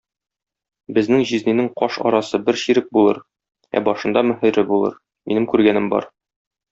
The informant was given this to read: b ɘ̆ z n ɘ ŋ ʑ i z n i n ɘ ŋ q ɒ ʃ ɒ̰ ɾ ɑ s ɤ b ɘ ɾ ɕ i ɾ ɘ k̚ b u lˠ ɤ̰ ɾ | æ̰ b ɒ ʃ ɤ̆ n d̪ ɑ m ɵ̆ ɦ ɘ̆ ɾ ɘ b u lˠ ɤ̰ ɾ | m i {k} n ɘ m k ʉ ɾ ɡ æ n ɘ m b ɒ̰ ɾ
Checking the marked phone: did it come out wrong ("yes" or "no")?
yes